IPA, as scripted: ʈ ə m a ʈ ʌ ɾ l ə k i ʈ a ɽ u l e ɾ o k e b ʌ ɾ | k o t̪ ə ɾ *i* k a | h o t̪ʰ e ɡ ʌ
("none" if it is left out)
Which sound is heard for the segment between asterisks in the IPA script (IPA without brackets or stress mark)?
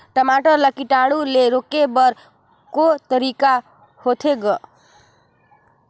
i